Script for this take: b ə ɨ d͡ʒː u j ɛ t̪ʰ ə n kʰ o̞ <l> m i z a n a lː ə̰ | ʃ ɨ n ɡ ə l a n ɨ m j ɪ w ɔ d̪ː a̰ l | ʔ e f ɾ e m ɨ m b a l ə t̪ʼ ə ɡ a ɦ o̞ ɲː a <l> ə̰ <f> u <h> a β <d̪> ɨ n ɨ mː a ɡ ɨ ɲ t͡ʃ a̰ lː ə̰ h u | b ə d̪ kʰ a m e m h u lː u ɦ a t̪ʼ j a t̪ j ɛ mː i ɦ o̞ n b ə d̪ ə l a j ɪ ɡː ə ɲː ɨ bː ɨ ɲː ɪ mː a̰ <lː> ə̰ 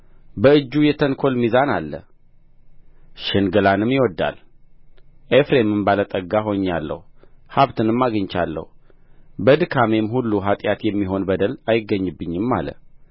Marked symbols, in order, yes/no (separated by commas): yes, no, no, yes, no, no